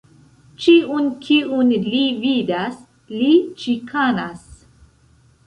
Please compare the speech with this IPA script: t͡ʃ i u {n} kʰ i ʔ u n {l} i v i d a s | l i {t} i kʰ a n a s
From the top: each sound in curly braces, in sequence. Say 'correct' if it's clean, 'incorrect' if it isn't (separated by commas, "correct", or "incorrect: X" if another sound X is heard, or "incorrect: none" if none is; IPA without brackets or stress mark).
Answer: correct, correct, incorrect: t͡ʃ